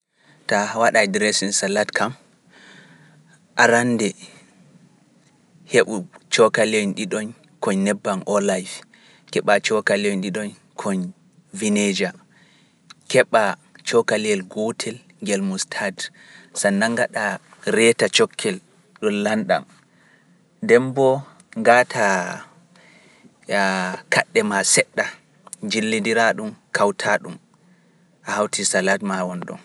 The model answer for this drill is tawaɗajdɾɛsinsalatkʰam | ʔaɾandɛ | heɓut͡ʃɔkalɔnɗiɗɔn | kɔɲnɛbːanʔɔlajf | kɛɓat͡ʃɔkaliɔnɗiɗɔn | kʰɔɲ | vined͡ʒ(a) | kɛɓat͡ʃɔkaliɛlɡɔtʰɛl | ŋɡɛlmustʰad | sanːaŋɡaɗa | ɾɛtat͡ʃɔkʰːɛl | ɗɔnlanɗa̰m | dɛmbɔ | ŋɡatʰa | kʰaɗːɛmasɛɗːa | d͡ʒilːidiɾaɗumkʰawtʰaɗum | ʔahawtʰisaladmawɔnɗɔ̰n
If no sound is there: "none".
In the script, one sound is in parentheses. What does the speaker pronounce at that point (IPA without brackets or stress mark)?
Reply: a